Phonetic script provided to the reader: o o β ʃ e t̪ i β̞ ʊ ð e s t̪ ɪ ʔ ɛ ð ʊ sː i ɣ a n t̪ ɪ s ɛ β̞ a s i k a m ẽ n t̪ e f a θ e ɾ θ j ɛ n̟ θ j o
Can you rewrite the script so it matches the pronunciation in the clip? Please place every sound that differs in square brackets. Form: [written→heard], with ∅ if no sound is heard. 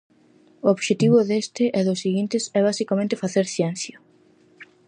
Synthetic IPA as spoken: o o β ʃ e t̪ i β̞ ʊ ð e s t̪ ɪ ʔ ɛ ð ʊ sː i ɣ [a→i] n t̪ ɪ s ɛ β̞ a s i k a m ẽ n t̪ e f a θ e ɾ θ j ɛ n̟ θ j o